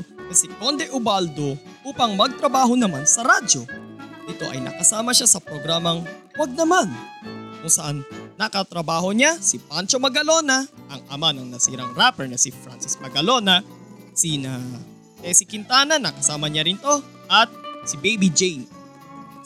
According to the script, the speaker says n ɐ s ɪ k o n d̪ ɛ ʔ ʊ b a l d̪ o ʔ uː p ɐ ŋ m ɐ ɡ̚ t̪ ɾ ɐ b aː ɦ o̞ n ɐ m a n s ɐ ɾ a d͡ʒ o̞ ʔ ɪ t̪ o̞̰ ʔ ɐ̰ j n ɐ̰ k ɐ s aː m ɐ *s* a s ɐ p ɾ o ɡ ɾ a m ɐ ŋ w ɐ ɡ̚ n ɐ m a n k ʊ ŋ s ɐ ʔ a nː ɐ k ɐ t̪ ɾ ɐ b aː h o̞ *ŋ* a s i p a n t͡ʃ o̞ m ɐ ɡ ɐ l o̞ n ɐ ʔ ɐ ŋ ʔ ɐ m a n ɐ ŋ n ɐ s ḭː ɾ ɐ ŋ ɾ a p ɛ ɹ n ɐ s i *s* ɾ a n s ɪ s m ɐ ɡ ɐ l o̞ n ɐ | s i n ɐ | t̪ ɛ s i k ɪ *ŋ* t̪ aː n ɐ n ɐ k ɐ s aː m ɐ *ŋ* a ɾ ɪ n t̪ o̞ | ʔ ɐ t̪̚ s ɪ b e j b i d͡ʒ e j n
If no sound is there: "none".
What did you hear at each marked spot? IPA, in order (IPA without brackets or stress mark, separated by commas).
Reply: ʃ, ɲ, f, n, ɲ